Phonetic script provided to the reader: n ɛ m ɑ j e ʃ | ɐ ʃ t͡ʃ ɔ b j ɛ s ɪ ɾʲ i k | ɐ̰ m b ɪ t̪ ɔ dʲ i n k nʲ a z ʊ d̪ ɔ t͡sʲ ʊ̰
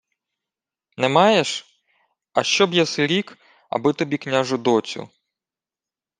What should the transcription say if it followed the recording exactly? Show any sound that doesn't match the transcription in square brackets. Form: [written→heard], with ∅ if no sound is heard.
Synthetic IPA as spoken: n ɛ m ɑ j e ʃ | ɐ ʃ t͡ʃ ɔ b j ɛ s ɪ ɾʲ i k | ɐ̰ [m→∅] b ɪ t̪ ɔ [dʲ→bʲ] i [n→∅] k nʲ a [z→ʒ] ʊ d̪ ɔ t͡sʲ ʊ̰